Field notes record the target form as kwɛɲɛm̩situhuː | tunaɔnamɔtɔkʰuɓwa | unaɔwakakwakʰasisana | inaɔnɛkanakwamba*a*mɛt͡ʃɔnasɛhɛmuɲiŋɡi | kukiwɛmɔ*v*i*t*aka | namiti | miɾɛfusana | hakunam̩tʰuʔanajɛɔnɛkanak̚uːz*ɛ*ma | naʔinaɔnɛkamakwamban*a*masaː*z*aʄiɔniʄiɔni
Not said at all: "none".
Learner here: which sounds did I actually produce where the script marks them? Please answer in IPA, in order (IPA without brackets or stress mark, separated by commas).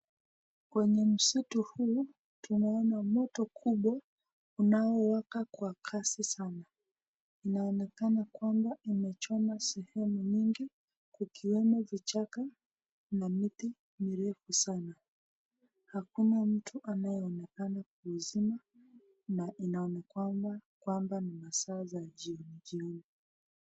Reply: i, v, t͡ʃ, i, i, z